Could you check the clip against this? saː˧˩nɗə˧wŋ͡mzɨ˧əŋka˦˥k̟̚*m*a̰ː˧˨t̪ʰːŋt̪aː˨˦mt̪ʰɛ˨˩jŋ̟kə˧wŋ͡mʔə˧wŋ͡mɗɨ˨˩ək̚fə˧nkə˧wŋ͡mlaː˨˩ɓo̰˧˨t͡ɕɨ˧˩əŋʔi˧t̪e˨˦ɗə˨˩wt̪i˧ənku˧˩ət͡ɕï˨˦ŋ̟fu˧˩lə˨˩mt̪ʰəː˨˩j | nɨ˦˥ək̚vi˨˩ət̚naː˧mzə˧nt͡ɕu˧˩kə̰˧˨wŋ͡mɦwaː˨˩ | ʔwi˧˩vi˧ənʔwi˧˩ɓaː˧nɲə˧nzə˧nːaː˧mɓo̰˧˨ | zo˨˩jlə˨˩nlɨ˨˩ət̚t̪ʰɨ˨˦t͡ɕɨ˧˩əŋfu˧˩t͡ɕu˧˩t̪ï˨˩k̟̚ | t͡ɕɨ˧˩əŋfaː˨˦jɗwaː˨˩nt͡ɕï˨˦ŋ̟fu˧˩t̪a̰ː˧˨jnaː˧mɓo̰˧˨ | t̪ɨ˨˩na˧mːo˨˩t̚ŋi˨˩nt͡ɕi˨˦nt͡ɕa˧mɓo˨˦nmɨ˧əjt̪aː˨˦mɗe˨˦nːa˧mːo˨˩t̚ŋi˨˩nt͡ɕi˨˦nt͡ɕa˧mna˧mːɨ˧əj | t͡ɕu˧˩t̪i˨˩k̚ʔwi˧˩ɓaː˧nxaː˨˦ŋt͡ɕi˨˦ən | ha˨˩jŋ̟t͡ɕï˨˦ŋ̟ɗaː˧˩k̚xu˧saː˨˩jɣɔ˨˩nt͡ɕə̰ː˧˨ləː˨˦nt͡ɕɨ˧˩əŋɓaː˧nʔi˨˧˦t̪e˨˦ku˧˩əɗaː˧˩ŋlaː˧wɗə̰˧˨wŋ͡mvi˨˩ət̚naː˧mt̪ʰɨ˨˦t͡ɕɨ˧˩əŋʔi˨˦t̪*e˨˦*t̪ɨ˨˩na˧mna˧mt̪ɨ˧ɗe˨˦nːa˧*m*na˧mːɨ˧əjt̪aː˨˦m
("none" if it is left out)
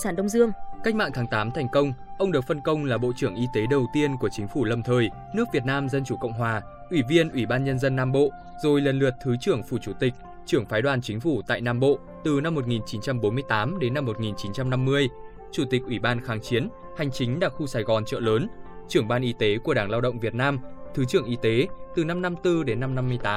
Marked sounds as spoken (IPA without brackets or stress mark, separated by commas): m, e˨˦, m